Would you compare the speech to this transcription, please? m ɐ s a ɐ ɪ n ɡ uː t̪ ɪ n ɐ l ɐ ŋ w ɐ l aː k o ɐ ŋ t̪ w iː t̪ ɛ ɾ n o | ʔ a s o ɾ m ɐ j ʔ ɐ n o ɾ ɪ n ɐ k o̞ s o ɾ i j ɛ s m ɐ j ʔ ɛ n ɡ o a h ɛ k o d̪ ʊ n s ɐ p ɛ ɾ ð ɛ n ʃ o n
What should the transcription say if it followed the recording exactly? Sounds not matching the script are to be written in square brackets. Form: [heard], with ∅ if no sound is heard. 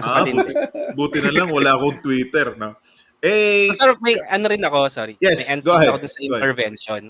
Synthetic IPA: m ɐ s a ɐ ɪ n [b] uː t̪ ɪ n ɐ l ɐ ŋ w ɐ l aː k o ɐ ŋ t̪ w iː t̪ ɛ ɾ n o | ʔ [ɛ] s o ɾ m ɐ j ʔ ɐ n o ɾ ɪ n ɐ k o̞ s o ɾ i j ɛ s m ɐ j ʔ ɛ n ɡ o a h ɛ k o d̪ ʊ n s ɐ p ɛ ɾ [v] ɛ n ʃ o n